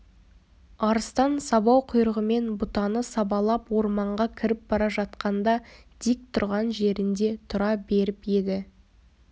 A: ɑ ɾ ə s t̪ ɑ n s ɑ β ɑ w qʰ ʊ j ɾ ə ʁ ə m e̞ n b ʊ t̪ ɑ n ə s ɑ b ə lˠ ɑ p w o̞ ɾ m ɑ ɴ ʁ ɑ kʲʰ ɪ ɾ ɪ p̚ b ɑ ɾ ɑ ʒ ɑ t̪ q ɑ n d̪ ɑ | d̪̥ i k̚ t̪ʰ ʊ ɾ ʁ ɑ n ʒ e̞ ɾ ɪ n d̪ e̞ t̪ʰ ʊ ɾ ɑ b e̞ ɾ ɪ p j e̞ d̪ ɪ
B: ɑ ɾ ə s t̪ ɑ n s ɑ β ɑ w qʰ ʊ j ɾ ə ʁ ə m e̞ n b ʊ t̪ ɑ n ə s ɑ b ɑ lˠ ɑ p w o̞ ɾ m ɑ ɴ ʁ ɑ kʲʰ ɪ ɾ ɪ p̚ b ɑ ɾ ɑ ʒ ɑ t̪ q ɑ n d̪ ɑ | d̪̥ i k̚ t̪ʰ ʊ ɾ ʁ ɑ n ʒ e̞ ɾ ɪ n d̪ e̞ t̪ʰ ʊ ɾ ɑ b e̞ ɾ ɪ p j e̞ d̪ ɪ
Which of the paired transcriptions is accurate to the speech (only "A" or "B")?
B